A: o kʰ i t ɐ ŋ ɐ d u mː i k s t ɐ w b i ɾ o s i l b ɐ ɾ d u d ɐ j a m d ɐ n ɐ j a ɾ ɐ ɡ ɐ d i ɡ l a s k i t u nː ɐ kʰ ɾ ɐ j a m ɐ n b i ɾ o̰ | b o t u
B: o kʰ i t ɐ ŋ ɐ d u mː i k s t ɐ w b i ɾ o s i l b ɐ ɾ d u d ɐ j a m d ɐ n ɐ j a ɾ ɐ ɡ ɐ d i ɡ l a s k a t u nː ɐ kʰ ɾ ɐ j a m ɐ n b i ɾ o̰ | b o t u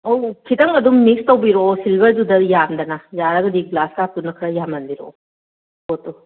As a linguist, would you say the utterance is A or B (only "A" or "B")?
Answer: B